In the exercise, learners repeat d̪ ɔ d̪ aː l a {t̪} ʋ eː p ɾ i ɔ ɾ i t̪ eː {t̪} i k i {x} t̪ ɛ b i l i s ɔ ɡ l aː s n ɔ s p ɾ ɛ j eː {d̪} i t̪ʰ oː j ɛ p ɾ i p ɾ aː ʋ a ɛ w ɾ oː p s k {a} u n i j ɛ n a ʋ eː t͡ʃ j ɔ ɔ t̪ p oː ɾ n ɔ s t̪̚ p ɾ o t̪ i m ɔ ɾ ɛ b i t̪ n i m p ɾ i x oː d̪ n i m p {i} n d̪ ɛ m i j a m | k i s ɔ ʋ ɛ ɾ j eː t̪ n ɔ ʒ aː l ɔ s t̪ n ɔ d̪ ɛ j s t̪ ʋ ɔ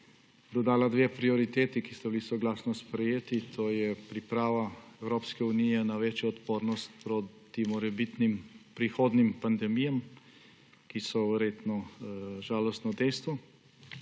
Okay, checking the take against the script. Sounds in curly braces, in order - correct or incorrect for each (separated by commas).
incorrect, correct, incorrect, incorrect, incorrect, incorrect